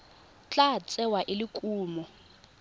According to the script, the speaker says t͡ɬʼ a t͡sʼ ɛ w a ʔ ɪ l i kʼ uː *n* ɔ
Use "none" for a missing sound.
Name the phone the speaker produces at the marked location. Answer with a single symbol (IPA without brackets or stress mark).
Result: m